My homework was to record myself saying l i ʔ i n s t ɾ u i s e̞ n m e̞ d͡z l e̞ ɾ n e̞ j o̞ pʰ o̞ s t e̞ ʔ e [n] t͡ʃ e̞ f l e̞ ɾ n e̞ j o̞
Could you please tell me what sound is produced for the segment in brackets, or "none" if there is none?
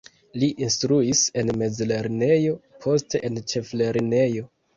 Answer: n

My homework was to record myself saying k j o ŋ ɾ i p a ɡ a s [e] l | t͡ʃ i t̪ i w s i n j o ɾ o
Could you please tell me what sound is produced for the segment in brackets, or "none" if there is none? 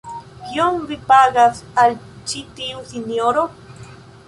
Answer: a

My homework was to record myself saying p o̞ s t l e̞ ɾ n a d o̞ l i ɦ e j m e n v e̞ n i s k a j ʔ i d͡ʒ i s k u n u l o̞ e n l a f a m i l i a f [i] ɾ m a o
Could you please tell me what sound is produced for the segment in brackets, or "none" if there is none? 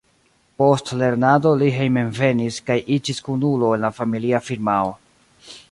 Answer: i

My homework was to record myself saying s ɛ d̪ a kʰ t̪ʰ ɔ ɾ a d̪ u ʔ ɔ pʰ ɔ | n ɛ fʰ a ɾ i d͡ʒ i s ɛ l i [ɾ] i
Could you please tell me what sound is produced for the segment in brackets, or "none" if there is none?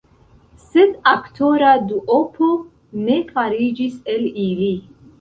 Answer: l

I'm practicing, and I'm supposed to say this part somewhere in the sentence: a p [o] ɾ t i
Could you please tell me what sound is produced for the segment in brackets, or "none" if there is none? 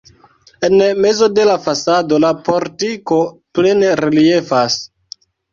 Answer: o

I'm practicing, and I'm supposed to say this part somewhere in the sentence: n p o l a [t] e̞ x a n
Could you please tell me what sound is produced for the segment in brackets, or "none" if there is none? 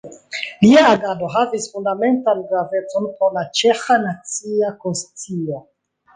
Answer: t͡ʃ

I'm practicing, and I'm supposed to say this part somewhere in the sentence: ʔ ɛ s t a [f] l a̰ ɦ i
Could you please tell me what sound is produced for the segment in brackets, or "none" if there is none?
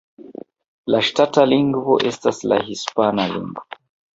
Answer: s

